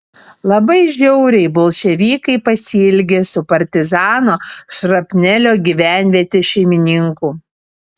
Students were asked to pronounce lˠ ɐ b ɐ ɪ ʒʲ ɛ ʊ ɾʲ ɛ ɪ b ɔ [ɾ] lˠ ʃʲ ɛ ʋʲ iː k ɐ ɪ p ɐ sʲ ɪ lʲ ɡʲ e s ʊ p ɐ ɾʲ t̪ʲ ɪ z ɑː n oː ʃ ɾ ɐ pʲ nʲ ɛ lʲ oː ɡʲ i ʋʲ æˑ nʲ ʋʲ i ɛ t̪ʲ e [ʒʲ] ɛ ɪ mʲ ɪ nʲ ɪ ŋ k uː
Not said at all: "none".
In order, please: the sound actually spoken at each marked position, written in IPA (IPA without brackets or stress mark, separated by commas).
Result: none, ʃʲ